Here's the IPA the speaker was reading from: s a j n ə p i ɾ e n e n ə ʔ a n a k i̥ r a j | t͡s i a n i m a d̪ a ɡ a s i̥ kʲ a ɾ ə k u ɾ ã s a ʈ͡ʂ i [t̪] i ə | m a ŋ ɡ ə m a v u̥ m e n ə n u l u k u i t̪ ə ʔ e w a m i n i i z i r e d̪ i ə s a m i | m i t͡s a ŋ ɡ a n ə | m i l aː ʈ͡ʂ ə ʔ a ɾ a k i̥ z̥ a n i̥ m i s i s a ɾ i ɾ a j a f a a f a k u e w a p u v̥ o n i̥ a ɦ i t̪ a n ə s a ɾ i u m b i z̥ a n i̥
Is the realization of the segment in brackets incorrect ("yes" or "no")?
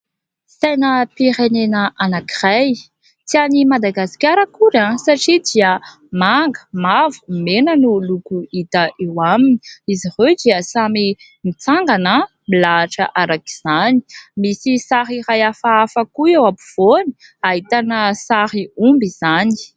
yes